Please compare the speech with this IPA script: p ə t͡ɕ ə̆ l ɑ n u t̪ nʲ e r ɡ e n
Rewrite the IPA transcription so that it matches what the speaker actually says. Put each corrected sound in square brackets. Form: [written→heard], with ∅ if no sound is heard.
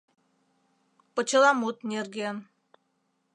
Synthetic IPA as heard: p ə t͡ɕ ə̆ l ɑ [n→m] u t̪ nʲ e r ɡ e n